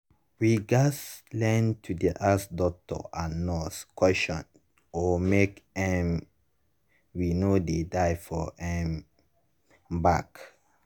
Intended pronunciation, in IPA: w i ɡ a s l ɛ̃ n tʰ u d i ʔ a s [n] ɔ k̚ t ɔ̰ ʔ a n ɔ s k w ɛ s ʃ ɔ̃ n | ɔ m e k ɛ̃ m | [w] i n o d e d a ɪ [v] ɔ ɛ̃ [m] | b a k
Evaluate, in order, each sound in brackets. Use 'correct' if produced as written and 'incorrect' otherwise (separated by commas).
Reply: incorrect, correct, incorrect, correct